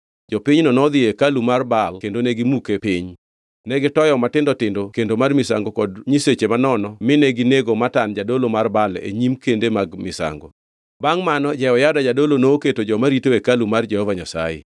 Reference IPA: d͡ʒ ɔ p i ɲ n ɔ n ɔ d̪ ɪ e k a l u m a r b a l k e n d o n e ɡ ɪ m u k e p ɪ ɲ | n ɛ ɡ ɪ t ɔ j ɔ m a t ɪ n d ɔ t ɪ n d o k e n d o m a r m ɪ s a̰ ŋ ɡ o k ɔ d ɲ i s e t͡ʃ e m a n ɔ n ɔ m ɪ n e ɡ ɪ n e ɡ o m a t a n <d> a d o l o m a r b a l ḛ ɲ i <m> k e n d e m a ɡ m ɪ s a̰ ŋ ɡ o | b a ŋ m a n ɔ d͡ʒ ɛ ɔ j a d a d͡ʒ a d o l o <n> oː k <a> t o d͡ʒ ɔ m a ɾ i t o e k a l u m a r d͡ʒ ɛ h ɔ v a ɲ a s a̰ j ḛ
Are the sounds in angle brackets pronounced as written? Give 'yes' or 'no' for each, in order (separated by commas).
no, yes, yes, no